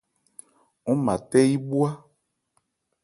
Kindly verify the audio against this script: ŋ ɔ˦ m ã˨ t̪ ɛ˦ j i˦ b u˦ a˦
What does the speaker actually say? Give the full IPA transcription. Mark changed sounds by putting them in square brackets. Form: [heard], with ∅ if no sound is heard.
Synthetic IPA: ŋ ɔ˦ m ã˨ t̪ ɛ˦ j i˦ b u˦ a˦